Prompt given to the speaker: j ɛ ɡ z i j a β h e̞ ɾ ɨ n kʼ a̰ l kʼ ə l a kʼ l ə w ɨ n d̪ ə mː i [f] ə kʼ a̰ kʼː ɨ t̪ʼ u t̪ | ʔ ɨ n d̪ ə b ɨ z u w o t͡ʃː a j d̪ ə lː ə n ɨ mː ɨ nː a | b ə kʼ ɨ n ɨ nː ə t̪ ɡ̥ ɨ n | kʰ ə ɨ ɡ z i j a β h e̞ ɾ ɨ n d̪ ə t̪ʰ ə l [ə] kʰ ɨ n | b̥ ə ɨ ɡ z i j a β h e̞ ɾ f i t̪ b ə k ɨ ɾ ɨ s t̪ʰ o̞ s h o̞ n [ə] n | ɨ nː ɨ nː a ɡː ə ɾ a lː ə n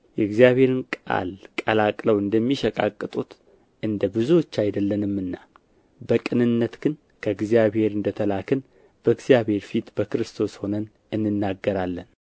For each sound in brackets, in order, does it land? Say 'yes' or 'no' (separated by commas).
no, no, yes